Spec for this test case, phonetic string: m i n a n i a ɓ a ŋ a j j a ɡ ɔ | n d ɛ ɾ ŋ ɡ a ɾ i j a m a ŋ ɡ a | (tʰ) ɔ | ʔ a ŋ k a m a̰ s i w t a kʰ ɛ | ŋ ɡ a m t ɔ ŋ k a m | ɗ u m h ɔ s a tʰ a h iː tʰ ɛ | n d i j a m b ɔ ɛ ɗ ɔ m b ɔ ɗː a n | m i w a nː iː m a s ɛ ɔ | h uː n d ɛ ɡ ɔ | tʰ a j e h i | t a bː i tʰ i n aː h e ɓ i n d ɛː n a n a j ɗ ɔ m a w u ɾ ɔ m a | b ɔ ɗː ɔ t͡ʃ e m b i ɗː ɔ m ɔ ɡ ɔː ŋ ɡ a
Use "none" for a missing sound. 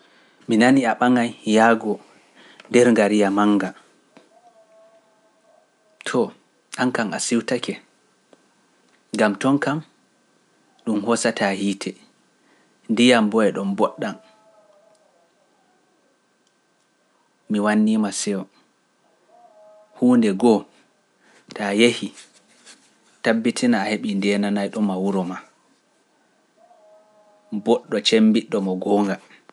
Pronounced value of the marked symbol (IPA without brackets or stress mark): tʰ